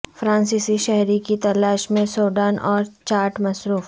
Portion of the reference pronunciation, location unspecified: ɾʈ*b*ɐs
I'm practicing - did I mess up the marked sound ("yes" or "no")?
yes